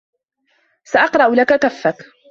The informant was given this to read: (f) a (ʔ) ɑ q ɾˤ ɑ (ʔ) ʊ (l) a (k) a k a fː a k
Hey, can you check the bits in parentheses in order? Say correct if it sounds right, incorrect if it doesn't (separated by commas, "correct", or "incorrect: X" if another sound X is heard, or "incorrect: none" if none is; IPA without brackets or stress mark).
incorrect: s, correct, correct, correct, correct